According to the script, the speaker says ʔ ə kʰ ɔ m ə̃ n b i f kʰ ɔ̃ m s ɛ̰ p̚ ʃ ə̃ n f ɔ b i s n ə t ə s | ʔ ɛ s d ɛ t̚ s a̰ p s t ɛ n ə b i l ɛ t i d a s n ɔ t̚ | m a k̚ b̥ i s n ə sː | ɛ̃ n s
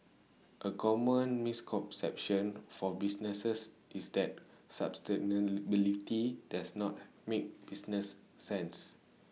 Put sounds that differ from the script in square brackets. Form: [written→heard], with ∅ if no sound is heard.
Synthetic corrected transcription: ʔ ə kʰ ɔ m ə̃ n [b→m] i [f→s] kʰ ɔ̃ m s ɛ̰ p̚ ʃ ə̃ n f ɔ b i s n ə [t→s] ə s | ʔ [ɛ→i] s d ɛ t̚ s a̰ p s t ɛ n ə b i l [ɛ→i] t i d a s n ɔ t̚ | m [a→e] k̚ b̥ i s n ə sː | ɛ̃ n s